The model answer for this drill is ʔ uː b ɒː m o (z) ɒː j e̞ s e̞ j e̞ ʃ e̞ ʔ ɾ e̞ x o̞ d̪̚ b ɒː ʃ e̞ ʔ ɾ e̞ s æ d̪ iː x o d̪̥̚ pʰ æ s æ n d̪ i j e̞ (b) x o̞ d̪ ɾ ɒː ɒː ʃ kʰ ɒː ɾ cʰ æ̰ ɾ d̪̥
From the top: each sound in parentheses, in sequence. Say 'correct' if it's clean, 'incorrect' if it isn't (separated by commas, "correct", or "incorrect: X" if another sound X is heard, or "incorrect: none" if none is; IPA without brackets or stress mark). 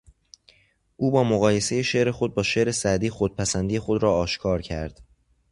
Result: incorrect: ɣ, incorrect: none